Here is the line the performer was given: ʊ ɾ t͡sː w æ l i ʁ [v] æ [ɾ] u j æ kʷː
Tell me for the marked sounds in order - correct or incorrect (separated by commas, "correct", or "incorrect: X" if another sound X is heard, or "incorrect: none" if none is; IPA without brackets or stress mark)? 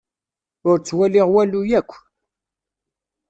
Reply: incorrect: w, incorrect: l